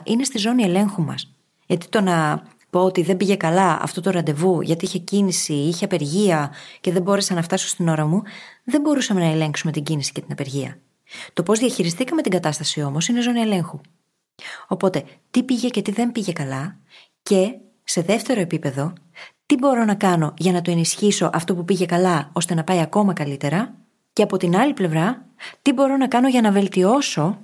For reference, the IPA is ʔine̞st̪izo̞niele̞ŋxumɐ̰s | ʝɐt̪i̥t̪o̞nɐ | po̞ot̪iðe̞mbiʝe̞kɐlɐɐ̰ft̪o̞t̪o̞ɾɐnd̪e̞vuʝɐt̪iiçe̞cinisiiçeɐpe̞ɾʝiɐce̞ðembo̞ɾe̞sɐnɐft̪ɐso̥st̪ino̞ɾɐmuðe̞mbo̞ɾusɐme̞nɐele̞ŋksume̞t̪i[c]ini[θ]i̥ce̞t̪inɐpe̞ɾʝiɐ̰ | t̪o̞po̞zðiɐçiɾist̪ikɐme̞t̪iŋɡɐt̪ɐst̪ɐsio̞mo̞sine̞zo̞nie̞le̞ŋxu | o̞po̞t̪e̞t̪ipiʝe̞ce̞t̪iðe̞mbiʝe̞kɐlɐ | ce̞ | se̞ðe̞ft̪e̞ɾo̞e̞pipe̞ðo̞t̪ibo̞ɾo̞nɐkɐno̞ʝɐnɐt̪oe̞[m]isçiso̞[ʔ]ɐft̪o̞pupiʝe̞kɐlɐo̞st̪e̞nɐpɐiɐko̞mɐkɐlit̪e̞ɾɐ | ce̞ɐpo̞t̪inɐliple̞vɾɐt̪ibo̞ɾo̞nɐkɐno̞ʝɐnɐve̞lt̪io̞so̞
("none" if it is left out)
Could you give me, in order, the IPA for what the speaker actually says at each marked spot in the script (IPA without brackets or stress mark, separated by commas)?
ɟ, s, n, ʔ